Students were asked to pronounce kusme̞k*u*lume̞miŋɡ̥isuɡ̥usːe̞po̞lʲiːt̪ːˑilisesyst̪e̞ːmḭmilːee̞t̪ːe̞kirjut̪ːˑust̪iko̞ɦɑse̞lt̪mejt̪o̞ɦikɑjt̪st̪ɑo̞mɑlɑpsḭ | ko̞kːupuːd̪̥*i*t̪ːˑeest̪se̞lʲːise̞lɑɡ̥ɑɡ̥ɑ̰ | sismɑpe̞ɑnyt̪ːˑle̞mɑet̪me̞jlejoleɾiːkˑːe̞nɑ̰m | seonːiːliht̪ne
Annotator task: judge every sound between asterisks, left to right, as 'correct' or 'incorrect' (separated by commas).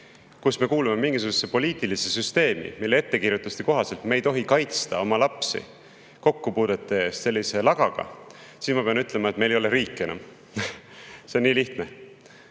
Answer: incorrect, incorrect